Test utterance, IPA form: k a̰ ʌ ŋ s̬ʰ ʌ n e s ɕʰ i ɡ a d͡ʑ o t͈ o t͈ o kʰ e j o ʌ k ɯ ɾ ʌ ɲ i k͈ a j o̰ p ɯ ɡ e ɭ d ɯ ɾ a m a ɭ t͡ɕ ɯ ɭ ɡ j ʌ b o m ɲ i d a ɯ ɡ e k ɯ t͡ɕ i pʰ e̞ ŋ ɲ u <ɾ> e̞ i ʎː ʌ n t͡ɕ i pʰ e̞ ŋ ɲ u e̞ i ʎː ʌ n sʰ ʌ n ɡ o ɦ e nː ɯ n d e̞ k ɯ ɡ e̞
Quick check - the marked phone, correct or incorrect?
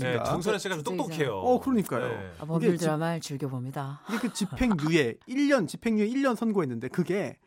incorrect